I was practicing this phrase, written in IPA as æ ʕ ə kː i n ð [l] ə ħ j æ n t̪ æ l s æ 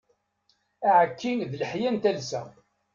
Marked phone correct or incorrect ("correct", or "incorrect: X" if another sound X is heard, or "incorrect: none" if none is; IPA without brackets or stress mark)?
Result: correct